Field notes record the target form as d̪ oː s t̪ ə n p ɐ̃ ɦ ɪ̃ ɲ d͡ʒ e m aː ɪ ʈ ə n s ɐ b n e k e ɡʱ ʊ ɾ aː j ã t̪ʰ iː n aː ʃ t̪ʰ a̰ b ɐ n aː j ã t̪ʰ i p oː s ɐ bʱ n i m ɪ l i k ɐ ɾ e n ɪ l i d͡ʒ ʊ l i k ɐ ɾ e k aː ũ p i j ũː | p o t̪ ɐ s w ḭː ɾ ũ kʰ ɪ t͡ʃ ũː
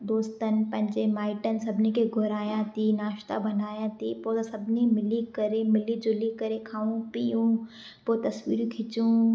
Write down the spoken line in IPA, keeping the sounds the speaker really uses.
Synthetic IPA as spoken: d̪ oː s t̪ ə n p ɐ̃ ɦ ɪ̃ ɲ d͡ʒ e m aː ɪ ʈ ə n s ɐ b n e k e ɡʱ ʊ ɾ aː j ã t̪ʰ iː n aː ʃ t̪ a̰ b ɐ n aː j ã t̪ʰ i p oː s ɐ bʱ n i m ɪ l i k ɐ ɾ e m ɪ l i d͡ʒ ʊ l i k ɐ ɾ e kʰ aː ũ p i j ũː | p o t̪ ɐ s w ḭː ɾ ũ kʰ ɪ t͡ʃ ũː